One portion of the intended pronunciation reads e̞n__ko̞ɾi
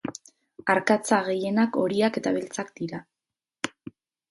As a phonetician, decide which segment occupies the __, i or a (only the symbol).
a